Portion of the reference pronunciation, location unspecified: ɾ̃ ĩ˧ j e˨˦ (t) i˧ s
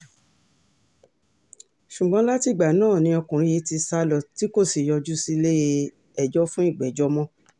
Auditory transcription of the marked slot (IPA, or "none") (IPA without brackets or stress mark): t